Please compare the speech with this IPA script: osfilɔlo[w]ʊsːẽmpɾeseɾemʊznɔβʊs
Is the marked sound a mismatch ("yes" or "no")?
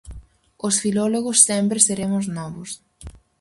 yes